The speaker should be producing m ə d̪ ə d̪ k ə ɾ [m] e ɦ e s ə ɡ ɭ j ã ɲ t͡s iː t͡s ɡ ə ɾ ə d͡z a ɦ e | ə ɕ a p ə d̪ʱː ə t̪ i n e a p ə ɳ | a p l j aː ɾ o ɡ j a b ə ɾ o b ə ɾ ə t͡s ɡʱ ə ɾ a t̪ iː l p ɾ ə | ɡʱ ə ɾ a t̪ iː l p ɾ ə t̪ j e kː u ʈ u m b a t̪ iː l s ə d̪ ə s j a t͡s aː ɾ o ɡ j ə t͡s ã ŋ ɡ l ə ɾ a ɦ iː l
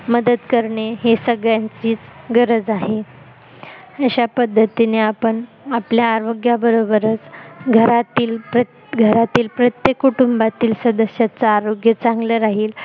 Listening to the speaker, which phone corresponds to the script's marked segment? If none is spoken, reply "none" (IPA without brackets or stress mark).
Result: ɳ